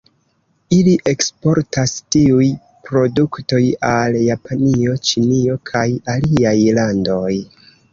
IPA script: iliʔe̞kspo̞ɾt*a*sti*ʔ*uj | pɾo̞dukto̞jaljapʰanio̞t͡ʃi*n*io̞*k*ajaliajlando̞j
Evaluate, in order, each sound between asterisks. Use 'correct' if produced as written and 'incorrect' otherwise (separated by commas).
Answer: correct, incorrect, correct, incorrect